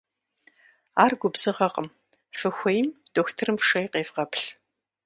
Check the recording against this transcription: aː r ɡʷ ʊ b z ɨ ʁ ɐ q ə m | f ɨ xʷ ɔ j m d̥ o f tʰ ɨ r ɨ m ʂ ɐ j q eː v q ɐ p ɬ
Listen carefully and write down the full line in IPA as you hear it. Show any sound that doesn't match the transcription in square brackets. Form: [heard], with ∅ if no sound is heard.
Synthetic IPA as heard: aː r ɡʷ ʊ b z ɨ ʁ ɐ q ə m | f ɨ xʷ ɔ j m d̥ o [x] tʰ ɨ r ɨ m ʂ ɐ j q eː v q ɐ p ɬ